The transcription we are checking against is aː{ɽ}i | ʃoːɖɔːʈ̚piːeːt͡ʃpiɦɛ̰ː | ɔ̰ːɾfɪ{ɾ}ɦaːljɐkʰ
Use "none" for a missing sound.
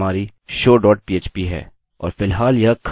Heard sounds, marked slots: ɾ, l

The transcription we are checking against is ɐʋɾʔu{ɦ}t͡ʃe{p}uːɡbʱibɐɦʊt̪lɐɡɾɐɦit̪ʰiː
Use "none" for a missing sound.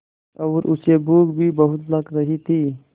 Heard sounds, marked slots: none, b

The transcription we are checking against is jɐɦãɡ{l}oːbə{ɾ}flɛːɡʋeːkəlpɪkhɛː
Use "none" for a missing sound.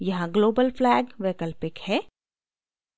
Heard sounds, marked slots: l, l

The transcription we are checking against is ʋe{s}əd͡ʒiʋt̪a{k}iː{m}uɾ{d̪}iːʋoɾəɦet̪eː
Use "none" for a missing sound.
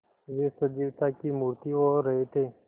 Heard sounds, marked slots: s, k, m, t̪

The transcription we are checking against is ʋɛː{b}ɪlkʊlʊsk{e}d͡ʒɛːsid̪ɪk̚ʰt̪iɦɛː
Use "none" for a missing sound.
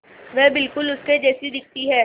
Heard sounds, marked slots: b, e

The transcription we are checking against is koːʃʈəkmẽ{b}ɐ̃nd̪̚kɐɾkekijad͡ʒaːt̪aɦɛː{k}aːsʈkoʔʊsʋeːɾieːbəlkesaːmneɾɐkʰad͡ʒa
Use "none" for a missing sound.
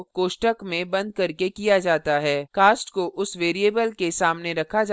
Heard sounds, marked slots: b, k

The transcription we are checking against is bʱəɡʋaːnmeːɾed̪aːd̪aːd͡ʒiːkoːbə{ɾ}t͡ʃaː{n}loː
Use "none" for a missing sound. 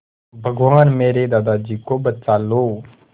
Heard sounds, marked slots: none, none

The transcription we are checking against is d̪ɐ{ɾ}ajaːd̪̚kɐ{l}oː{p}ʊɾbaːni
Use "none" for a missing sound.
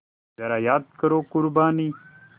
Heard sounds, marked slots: ɾ, ɾ, k

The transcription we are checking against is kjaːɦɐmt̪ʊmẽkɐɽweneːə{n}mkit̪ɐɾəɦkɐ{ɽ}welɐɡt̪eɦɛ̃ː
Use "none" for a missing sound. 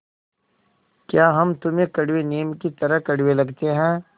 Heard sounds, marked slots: none, ɽ

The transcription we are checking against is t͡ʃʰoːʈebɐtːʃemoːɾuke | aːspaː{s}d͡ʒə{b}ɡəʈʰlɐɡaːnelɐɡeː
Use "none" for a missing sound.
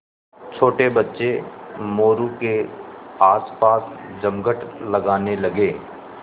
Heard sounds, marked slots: s, m

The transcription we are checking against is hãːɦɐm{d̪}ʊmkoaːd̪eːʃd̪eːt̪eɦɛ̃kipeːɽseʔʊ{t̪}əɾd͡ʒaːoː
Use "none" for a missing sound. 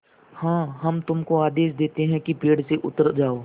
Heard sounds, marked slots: t̪, t̪

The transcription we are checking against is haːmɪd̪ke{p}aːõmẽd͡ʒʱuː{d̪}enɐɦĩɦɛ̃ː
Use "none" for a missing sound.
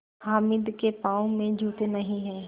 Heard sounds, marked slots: p, t̪

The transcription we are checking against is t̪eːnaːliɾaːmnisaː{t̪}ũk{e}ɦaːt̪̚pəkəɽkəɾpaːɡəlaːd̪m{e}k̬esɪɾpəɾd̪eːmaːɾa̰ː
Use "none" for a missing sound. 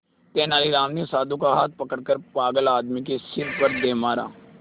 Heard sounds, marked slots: d̪, a, i

